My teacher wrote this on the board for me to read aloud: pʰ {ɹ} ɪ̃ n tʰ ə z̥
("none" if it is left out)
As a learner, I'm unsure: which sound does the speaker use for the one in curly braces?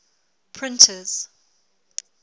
ɹ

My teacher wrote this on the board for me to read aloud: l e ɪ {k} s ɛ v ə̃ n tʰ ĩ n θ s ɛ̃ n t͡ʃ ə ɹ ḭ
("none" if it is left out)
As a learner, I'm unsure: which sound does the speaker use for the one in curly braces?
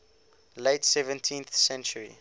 t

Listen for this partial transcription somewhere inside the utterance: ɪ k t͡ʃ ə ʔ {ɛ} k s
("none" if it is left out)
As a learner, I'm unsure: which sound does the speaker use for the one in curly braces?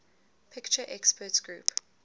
ɛ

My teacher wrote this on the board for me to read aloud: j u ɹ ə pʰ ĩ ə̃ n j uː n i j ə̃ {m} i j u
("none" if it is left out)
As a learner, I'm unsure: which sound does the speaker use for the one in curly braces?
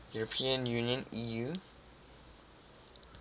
n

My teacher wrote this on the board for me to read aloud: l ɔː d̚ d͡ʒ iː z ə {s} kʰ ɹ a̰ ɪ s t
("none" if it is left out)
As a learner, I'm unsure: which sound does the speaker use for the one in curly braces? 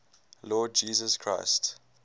s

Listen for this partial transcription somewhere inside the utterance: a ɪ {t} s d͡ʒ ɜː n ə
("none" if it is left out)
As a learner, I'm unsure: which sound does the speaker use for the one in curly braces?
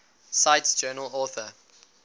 t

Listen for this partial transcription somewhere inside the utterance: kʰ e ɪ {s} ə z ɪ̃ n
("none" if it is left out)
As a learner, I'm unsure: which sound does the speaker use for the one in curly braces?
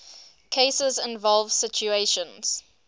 s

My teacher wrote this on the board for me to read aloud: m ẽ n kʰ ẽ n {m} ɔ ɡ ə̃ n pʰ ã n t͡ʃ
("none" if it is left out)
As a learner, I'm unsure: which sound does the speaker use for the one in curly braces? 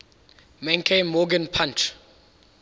m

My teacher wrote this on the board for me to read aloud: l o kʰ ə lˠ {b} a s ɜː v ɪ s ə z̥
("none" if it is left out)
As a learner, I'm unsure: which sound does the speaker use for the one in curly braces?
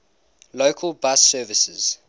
b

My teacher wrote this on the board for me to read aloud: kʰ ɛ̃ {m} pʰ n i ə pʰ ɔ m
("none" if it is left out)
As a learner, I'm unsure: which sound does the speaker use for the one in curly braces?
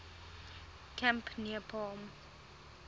m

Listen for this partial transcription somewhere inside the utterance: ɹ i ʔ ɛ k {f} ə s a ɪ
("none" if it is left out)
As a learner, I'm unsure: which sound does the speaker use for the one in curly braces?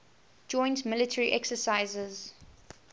s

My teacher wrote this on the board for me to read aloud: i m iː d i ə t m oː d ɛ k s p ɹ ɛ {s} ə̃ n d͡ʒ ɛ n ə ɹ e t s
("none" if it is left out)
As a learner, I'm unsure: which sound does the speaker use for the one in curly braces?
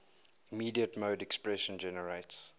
ʃ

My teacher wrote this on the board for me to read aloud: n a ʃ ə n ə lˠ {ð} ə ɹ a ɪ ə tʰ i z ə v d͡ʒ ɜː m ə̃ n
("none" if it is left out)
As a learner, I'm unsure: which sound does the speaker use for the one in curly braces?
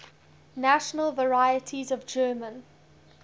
v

